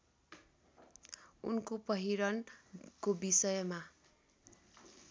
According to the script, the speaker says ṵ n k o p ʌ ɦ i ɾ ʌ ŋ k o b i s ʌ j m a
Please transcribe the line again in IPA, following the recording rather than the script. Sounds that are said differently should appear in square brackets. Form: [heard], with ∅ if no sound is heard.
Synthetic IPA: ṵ n k o p ʌ ɦ i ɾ ʌ [n] k o b i s ʌ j m a